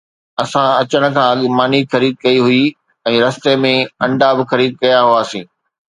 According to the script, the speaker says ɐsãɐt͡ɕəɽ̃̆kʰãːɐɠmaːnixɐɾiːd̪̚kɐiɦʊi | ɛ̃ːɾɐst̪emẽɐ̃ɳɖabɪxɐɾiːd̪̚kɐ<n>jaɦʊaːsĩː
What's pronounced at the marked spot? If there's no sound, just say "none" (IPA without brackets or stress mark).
none